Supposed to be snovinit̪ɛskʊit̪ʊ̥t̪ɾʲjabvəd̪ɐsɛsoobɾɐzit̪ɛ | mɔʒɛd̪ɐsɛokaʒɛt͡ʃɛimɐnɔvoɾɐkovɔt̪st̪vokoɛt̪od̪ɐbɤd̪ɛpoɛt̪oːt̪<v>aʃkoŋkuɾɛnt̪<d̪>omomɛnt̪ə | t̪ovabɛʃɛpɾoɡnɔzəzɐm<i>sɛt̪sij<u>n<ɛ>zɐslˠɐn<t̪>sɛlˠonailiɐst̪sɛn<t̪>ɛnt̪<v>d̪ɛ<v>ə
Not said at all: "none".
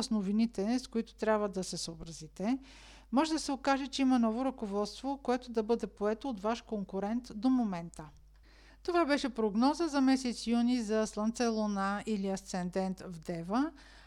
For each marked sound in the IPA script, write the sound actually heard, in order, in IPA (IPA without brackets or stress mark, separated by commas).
v, d̪, ɛ, u, i, t̪, d̪, v, v